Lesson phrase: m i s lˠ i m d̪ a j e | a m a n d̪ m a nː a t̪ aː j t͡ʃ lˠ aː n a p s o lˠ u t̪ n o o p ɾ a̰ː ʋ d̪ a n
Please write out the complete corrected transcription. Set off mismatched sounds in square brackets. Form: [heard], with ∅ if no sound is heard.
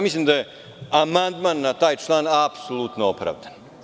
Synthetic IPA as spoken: m i s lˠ i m d̪ a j e | a m a n d̪ m a nː a t̪ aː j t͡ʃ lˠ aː n a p s o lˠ u t̪ n o o p ɾ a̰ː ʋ d̪ a n